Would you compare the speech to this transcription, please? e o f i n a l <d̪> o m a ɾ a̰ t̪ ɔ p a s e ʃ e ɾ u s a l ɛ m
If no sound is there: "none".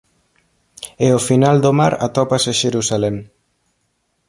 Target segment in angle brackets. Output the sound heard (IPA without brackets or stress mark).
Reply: d̪